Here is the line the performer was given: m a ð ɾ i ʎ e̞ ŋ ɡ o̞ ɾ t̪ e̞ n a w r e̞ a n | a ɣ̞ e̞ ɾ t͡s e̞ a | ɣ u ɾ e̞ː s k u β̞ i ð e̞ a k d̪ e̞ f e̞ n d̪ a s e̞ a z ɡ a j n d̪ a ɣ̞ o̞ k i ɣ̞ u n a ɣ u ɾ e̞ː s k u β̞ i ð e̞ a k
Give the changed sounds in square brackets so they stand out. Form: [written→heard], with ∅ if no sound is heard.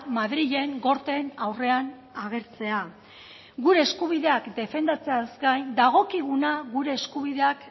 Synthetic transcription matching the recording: m a ð ɾ i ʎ e̞ ŋ ɡ o̞ ɾ t̪ e̞ n a w r e̞ a n | a ɣ̞ e̞ ɾ t͡s e̞ a | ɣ u ɾ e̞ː s k u β̞ i ð e̞ a k d̪ e̞ f e̞ n d̪ a [s→t͡s] e̞ a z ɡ a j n d̪ a ɣ̞ o̞ k i ɣ̞ u n a ɣ u ɾ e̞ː s k u β̞ i ð e̞ a k